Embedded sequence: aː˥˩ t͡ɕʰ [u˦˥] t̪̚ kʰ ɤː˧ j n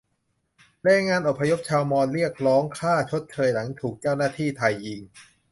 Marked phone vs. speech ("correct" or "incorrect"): incorrect